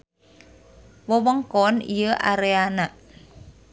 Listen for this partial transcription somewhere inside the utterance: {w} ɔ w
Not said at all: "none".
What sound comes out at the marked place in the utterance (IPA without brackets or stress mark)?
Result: w